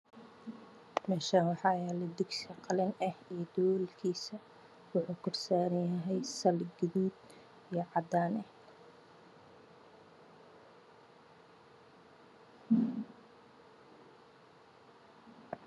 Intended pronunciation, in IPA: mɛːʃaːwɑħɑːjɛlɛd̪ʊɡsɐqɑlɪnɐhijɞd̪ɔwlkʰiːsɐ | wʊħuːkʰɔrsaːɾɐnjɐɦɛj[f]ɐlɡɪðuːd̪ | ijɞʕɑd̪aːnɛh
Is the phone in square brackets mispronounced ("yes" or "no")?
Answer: yes